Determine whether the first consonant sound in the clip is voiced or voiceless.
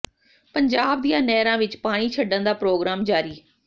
voiceless